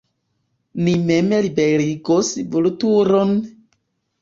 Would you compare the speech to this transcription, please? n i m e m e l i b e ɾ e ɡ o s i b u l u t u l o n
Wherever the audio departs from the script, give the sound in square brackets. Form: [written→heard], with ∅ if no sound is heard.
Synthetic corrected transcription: n i m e m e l i b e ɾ [e→i] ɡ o s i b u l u t u [l→ɾ] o n